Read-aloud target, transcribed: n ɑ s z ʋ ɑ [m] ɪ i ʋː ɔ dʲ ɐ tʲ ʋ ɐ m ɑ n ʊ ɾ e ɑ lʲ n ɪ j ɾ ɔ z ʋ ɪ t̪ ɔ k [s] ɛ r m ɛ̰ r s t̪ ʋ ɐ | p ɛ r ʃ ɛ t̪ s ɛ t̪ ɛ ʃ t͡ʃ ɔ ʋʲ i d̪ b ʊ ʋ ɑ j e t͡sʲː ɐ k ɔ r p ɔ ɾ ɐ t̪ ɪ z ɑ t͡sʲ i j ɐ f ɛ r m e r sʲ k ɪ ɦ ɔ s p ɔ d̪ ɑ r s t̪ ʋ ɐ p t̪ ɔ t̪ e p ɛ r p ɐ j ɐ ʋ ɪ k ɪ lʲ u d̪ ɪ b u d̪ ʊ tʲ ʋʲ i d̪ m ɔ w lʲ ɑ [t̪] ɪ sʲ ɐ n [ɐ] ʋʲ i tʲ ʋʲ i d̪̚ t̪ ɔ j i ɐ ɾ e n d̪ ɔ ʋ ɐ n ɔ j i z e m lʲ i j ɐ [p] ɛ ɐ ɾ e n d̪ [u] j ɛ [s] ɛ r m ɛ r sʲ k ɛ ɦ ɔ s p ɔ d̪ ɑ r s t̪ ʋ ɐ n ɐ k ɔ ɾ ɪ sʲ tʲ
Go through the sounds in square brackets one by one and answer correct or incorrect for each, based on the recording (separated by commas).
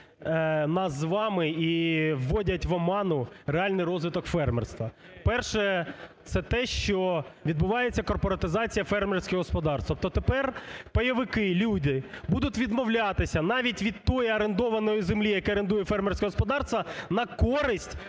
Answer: correct, incorrect, correct, incorrect, incorrect, correct, incorrect